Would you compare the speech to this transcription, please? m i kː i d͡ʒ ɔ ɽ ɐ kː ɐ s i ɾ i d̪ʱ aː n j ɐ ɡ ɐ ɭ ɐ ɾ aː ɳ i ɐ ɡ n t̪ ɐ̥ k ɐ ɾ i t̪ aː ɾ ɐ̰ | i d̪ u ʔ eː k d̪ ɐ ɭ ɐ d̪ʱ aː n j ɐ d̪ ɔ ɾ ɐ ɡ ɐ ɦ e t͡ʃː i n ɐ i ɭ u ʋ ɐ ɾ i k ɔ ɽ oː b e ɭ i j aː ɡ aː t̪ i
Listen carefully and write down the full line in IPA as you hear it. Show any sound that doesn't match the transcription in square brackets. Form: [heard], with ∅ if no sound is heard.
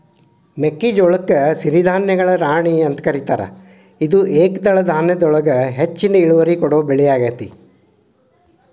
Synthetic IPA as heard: m [e] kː i d͡ʒ ɔ [ɭ] ɐ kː ɐ s i ɾ i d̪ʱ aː n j ɐ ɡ ɐ ɭ ɐ ɾ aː ɳ i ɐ [∅] n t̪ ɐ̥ k ɐ ɾ i t̪ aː ɾ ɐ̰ | i d̪ u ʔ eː k d̪ ɐ ɭ ɐ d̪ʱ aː n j ɐ d̪ ɔ [ɭ] ɐ ɡ ɐ ɦ e t͡ʃː i n ɐ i ɭ u ʋ ɐ ɾ i k ɔ ɽ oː b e ɭ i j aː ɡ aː t̪ i